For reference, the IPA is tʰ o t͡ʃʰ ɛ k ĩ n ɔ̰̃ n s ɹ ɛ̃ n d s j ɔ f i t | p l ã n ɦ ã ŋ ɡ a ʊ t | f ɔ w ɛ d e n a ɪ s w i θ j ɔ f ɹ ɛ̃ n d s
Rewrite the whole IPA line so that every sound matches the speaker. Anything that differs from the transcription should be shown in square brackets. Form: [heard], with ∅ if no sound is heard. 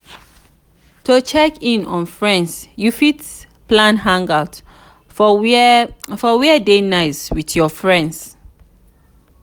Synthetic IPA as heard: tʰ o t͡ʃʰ ɛ k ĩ n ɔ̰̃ n [f] ɹ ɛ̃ n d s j [u] f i t | p l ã n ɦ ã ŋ ɡ a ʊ t | f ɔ w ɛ d e n a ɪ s w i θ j ɔ f ɹ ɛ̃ n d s